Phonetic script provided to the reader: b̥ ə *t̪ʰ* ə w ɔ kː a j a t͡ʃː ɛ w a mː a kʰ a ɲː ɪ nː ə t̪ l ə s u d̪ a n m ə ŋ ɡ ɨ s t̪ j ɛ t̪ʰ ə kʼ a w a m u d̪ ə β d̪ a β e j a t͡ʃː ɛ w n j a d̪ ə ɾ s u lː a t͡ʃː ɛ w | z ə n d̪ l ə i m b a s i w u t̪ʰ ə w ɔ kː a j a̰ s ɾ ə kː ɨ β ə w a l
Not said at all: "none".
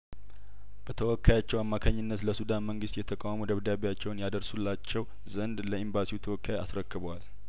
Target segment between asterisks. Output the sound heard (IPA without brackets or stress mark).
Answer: t̪ʰ